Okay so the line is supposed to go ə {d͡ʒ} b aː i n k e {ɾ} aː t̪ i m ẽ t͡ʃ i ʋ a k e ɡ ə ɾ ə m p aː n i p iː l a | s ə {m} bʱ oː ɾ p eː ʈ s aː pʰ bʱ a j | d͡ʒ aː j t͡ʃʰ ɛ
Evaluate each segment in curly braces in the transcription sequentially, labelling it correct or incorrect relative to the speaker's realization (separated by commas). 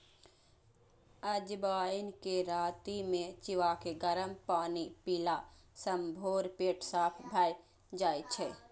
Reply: correct, correct, correct